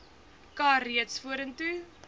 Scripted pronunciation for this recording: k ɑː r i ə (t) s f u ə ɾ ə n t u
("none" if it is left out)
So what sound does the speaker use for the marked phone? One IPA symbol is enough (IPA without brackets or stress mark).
t